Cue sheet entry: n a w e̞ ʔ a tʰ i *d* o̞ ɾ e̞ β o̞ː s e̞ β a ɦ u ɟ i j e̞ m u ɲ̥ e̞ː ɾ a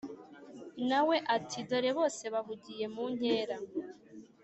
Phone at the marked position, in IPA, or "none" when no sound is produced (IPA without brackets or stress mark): d